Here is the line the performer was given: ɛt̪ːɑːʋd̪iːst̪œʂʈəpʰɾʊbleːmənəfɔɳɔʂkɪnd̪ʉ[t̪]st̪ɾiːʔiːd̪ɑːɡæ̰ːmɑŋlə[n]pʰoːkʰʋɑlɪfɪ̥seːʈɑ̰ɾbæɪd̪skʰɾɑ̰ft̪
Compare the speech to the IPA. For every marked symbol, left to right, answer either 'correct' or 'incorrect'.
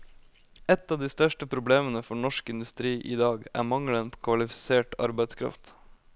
incorrect: none, correct

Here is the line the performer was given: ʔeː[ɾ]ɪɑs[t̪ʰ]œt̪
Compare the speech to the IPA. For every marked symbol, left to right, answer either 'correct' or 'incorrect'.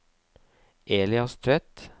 incorrect: l, correct

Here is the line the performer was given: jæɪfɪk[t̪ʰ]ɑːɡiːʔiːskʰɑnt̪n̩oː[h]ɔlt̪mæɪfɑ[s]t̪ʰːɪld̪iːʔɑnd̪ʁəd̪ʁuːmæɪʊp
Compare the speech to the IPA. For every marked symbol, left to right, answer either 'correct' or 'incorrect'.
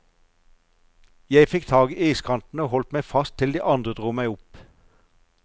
correct, correct, correct

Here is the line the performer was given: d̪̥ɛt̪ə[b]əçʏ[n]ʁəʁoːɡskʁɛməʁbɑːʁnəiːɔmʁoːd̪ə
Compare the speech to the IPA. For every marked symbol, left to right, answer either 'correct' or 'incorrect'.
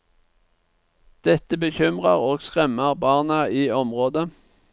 correct, incorrect: m

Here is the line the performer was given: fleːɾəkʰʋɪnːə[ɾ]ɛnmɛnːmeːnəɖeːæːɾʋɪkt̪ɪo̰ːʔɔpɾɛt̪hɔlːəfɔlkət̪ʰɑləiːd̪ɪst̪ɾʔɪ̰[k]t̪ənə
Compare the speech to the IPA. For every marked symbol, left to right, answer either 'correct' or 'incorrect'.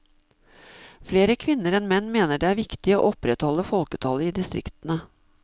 correct, correct

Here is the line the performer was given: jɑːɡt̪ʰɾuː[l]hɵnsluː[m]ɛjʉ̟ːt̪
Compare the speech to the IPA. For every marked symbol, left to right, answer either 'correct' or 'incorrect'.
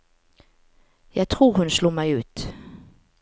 incorrect: ɾ, correct

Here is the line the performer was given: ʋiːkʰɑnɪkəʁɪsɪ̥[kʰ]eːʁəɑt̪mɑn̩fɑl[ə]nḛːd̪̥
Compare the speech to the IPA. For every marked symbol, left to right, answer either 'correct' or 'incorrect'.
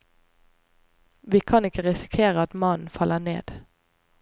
correct, correct

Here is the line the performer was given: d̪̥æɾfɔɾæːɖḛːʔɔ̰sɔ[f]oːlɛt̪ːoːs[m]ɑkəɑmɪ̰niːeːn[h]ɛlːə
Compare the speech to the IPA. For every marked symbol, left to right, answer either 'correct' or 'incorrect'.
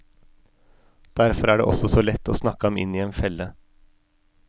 incorrect: s, incorrect: n, incorrect: f

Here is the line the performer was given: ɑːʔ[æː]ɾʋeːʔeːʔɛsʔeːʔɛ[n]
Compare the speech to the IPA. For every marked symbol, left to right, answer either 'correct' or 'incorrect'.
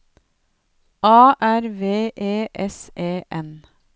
incorrect: æ, correct

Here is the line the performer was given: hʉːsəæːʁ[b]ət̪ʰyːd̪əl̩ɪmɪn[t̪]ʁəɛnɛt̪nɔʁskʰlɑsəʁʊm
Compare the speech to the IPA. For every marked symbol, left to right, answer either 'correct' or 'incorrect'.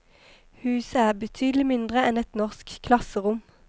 correct, incorrect: d̪

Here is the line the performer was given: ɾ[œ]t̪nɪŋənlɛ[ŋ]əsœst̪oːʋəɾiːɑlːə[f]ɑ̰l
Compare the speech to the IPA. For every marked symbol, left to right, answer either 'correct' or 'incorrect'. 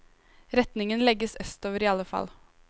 incorrect: ɛ, incorrect: ɡ, correct

